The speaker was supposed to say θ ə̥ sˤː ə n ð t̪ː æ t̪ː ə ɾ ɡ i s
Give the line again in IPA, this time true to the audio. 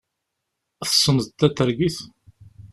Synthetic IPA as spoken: θ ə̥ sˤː ə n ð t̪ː æ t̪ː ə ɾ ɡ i θ